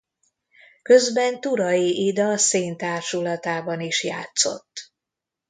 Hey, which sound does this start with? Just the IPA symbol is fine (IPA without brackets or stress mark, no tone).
k